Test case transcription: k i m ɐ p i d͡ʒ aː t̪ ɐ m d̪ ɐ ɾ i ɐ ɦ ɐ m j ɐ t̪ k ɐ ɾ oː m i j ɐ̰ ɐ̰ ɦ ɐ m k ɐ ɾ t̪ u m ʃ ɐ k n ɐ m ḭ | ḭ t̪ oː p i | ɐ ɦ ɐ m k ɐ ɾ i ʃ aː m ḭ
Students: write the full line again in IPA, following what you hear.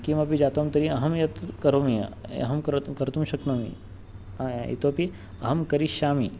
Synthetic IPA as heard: k i m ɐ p i d͡ʒ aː t̪ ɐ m t̪ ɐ ɾ i ɐ ɦ ɐ m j ɐ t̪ k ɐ ɾ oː m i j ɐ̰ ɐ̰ ɦ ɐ m k ɐ ɾ t̪ u m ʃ ɐ k n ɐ m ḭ | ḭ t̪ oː p i | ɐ ɦ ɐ m k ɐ ɾ i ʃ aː m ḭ

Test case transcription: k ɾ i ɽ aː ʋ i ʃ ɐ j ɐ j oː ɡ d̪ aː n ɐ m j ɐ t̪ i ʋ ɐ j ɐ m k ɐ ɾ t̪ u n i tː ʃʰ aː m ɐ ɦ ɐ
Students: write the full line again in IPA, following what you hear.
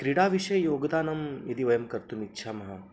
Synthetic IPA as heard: k ɾ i ɽ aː ʋ i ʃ ɐ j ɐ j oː ɡ d̪ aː n ɐ m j ɐ d̪ i ʋ ɐ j ɐ m k ɐ ɾ t̪ u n i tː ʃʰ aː m ɐ ɦ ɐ

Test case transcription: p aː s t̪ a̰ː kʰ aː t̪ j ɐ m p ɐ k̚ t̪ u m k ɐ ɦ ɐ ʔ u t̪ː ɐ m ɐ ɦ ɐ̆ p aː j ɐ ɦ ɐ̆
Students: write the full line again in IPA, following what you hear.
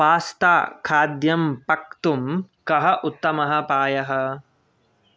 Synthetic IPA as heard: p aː s t̪ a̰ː kʰ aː d̪ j ɐ m p ɐ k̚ t̪ u m k ɐ ɦ ɐ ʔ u t̪ː ɐ m ɐ ɦ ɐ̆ p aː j ɐ ɦ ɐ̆

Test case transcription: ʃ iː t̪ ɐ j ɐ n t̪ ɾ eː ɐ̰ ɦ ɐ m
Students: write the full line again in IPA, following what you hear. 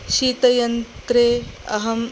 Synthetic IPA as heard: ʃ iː t̪ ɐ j ɐ n t̪ ɾ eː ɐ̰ ɦ ɐ m

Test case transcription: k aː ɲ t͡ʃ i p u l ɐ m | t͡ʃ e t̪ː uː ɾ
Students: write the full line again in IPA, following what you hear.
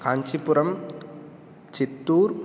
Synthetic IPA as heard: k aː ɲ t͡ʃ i p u ɾ ɐ m | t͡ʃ i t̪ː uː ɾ

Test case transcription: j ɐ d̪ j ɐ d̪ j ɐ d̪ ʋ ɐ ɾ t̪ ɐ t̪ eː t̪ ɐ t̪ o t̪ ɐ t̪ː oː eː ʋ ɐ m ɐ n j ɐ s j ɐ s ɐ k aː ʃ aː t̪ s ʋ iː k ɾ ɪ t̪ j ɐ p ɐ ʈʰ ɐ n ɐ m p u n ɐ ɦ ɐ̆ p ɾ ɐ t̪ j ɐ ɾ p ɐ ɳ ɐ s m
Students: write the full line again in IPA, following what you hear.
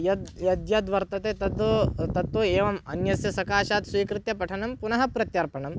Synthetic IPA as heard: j ɐ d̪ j ɐ d̪ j ɐ d̪ ʋ ɐ ɾ t̪ ɐ t̪ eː t̪ ɐ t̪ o t̪ ɐ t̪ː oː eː ʋ ɐ m ɐ n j ɐ s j ɐ s ɐ k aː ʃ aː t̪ s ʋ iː k ɾ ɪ t̪ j ɐ p ɐ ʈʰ ɐ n ɐ m p u n ɐ ɦ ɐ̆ p ɾ ɐ t̪ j ɐ ɾ p ɐ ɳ ɐ m

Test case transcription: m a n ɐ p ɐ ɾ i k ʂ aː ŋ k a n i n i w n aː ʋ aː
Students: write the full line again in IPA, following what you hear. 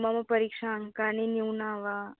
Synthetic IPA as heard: m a m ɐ p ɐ ɾ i k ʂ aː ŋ k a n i n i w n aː ʋ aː

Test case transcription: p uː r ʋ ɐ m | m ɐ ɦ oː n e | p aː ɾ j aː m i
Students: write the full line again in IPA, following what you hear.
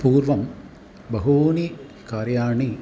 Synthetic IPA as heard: p uː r ʋ ɐ m | b ɐ ɦ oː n i | k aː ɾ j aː ɳ i

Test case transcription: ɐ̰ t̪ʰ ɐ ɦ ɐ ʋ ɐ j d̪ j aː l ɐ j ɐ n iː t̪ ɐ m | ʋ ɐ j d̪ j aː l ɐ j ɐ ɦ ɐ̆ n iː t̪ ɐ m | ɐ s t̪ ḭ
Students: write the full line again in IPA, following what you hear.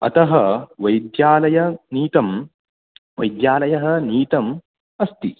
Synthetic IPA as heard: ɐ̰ t̪ ɐ ɦ ɐ ʋ ɐ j d̪ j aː l ɐ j ɐ n iː t̪ ɐ m | ʋ ɐ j d̪ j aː l ɐ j ɐ ɦ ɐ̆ n iː t̪ ɐ m | ɐ s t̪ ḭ

